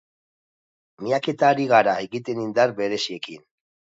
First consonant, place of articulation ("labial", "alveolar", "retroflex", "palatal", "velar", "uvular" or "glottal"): labial